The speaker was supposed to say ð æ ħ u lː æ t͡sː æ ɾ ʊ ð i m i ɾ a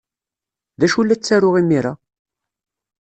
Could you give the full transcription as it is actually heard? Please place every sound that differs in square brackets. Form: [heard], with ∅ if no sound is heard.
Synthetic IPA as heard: ð æ [ʃ] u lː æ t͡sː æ ɾ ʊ [ʁ] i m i ɾ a